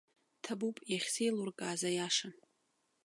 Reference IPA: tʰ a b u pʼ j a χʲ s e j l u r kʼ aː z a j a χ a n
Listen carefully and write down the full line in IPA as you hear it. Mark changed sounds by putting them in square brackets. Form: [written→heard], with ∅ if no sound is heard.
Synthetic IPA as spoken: tʰ a b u pʼ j a χʲ s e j l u r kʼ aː z a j a [χ→ʂ] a n